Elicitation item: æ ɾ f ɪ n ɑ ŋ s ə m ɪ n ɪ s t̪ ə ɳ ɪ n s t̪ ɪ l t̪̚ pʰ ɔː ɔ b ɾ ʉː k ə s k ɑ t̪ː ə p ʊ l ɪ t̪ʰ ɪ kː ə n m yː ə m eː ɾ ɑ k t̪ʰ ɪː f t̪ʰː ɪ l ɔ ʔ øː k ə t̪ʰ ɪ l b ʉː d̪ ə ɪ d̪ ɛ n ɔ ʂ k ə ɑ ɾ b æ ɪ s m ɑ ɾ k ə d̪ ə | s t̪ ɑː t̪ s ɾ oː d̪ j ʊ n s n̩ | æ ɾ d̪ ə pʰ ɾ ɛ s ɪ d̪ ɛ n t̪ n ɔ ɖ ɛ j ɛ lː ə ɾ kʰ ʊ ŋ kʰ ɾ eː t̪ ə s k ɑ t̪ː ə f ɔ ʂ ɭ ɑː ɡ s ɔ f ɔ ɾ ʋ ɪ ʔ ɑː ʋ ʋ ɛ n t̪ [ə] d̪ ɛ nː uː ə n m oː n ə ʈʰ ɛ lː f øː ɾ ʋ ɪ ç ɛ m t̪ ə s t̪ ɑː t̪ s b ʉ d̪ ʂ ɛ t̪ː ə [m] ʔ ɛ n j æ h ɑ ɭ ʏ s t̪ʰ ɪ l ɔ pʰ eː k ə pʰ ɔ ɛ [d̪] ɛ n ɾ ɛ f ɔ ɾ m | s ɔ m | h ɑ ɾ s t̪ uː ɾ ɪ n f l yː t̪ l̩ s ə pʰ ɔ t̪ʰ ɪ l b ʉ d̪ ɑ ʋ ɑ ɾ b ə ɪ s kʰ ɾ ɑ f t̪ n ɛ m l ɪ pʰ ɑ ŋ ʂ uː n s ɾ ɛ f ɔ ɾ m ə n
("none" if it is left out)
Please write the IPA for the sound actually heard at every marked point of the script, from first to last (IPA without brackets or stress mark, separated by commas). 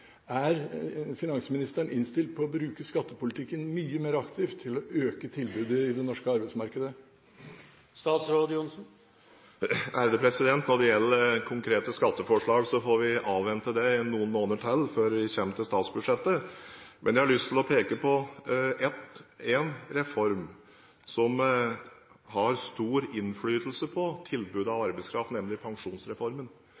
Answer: ə, m, t̪